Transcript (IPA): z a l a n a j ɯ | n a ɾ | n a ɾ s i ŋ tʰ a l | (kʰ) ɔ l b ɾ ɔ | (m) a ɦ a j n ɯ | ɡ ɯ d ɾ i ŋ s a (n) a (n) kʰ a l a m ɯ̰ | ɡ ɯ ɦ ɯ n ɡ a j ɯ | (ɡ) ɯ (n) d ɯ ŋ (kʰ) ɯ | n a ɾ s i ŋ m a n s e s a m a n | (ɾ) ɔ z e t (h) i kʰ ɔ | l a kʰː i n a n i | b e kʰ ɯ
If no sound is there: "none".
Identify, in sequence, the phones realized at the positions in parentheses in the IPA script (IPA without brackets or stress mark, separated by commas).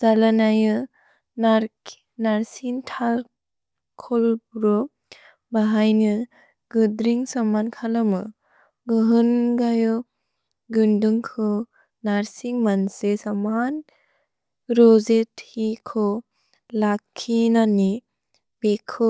kʰ, b, m, n, ɡ, n, kʰ, ɾ, h